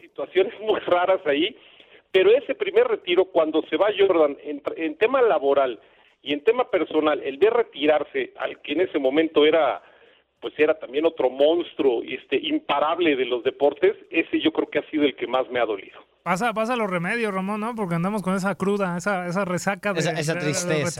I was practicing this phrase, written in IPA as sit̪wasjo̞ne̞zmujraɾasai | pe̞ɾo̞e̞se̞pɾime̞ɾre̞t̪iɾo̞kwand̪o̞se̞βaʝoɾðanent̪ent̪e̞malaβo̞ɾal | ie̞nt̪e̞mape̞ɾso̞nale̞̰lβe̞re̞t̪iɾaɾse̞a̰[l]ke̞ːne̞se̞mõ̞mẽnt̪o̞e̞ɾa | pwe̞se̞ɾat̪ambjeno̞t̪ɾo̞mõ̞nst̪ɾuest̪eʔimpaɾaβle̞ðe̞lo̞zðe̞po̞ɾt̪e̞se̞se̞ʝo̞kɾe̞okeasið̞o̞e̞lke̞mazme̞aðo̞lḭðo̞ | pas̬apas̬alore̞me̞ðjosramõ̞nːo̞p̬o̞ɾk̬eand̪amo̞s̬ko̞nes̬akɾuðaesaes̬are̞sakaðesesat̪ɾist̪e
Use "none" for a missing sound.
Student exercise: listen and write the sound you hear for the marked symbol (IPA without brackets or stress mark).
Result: l